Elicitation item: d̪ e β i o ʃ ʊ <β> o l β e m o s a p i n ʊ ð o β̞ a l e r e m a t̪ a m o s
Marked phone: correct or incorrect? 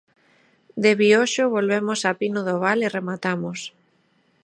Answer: correct